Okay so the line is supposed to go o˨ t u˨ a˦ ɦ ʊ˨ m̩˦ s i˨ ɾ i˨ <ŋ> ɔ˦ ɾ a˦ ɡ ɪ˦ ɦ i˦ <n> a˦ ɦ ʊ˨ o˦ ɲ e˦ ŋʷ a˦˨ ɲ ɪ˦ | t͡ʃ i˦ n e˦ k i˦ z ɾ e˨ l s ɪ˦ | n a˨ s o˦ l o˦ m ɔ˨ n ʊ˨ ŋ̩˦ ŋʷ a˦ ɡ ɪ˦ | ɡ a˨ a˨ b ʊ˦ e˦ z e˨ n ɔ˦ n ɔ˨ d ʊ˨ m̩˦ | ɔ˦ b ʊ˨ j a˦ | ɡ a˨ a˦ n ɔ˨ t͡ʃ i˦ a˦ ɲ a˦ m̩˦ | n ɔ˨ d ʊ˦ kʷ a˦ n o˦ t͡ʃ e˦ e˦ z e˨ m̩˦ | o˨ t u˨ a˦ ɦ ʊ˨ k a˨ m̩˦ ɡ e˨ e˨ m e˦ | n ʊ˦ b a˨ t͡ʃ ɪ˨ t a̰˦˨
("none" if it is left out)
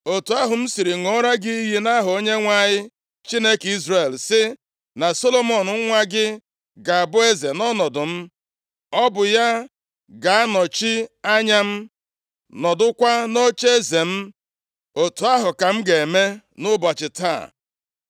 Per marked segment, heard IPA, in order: ŋ, n

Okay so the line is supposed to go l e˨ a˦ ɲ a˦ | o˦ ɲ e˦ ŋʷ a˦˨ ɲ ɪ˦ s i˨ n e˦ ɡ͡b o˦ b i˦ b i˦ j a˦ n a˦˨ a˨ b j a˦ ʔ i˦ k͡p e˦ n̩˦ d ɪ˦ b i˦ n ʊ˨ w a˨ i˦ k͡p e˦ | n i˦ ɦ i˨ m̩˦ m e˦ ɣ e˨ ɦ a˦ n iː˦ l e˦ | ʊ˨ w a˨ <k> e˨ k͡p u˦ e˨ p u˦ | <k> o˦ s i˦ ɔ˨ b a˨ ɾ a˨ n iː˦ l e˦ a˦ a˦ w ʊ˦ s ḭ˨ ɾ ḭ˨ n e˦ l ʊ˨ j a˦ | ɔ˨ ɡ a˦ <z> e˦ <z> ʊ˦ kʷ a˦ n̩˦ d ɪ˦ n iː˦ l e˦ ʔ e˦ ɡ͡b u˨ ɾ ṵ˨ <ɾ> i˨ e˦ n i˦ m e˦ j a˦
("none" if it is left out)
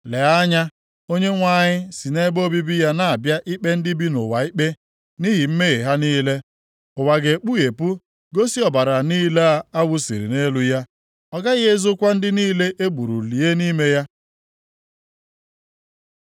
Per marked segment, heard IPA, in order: ɡ, ɡ, ɣ, z, l

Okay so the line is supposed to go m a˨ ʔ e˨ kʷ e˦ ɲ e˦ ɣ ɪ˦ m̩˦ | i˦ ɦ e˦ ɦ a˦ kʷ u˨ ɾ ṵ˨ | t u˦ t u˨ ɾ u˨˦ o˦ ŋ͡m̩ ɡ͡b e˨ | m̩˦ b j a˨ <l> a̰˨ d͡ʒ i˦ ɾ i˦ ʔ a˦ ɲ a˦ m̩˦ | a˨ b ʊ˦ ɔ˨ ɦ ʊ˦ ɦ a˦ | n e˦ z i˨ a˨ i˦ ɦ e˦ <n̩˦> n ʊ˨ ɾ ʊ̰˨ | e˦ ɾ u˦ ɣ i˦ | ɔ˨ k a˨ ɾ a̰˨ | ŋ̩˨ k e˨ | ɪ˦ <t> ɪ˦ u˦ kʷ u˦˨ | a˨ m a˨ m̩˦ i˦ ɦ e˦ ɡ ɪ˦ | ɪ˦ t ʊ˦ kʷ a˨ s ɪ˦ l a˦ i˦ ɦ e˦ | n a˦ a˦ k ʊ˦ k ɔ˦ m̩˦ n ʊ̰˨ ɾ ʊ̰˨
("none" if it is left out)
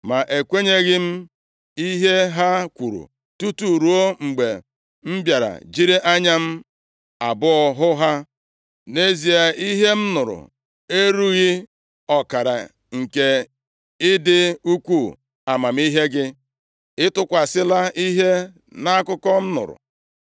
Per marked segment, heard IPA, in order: ɾ, m̩˦, d

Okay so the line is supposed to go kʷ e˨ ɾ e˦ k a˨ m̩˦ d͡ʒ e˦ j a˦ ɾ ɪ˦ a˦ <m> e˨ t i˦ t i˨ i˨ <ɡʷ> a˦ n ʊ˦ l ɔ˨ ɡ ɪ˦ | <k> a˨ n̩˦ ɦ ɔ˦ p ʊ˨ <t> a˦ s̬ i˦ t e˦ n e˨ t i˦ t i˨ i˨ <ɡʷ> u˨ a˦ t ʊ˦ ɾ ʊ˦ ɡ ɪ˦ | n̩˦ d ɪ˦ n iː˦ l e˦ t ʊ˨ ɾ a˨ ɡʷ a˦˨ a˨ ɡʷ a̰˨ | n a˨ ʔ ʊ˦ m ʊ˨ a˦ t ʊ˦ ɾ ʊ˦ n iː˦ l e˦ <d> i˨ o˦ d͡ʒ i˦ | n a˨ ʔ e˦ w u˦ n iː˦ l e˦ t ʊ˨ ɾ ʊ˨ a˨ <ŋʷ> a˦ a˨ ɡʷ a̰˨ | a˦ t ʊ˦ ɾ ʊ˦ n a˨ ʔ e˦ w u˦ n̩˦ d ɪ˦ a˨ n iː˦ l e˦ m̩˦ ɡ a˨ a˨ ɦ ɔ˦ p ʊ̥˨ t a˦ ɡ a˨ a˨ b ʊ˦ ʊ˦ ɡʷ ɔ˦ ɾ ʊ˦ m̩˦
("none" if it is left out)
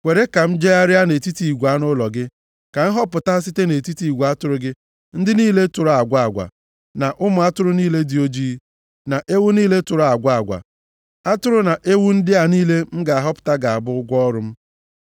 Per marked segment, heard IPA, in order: n, ɡʷ, k, t, ɡʷ, d, ɡʷ

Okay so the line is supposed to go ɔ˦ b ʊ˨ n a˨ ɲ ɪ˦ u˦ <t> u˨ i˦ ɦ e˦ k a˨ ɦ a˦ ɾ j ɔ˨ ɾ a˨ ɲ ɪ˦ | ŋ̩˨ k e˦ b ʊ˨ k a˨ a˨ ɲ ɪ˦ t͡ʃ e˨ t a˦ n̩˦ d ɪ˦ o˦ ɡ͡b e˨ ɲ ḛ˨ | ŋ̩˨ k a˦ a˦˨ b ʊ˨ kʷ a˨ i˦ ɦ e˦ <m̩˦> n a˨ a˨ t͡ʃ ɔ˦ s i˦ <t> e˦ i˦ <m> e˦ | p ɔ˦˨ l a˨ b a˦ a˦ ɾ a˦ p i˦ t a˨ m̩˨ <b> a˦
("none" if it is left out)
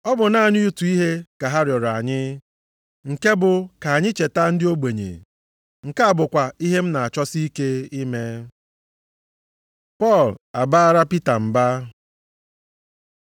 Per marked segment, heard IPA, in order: t, m̩˦, k, m, b

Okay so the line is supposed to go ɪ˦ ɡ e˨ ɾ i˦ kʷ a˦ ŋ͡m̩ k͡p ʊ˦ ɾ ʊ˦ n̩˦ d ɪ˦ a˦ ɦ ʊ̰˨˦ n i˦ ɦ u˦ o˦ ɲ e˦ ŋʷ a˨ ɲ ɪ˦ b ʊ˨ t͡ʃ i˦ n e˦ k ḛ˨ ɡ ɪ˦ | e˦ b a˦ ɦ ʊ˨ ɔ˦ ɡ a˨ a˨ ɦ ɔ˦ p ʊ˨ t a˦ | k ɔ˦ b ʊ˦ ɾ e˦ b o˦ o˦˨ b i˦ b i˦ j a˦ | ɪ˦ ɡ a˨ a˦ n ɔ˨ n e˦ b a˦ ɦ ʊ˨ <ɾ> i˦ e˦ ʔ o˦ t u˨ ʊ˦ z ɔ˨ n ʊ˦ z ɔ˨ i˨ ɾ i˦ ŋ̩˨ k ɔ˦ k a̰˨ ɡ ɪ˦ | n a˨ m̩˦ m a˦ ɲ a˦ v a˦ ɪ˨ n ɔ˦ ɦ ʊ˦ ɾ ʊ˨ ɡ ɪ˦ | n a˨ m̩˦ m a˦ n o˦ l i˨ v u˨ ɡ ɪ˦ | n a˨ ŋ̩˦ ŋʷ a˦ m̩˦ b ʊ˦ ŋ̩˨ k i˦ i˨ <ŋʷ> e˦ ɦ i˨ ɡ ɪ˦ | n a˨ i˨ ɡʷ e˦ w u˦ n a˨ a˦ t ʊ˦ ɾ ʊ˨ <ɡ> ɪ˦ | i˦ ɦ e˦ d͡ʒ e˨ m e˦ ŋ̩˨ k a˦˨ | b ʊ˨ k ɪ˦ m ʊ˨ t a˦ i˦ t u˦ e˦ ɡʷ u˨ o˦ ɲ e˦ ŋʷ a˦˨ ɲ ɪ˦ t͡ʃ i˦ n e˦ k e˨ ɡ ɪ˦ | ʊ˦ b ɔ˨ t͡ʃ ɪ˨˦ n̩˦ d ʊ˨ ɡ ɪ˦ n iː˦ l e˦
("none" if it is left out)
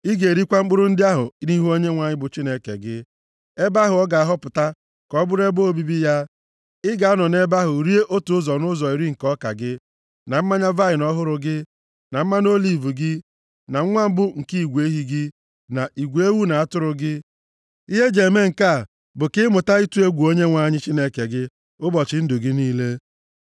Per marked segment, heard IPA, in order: ɾ, ɡʷ, ɡ

